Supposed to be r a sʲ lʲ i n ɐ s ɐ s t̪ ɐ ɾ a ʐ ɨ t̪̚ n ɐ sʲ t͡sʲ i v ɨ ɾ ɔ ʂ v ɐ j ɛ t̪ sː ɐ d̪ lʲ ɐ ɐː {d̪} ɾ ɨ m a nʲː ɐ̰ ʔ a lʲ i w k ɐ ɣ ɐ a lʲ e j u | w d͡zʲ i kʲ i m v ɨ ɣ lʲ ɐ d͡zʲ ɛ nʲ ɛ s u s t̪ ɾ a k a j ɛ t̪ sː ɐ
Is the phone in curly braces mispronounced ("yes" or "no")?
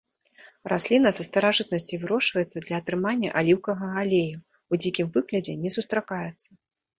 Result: yes